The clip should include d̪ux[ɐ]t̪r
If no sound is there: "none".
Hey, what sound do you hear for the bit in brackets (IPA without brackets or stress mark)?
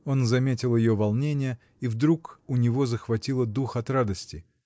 ɐ